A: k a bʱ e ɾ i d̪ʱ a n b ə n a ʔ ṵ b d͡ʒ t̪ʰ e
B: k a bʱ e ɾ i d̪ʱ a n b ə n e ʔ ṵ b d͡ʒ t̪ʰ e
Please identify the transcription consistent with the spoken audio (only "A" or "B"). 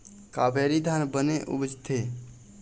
B